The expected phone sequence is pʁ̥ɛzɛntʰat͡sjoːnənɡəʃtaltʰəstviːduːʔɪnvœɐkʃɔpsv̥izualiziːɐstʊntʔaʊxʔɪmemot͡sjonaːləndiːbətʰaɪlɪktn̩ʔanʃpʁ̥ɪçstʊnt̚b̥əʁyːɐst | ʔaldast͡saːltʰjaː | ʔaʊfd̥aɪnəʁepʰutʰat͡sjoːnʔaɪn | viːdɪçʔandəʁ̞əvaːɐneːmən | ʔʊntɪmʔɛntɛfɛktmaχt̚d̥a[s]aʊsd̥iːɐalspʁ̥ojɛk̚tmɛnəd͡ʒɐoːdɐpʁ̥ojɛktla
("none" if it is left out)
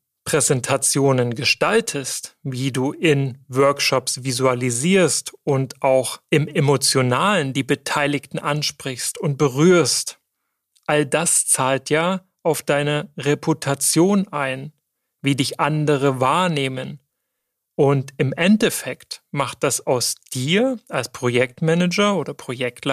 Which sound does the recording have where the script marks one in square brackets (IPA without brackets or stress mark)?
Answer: s